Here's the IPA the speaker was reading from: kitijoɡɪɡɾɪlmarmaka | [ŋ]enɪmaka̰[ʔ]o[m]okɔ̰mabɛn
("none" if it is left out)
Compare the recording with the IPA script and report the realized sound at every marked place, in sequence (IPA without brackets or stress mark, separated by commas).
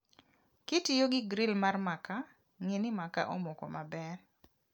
ŋ, ʔ, m